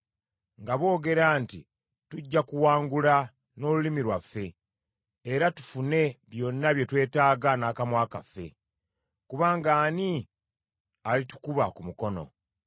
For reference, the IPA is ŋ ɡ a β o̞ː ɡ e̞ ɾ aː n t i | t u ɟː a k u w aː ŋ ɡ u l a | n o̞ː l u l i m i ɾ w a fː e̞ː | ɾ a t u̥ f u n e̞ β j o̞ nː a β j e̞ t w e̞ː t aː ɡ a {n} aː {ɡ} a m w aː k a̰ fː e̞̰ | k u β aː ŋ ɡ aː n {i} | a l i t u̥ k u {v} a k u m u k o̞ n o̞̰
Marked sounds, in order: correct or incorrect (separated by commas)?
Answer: correct, incorrect, correct, incorrect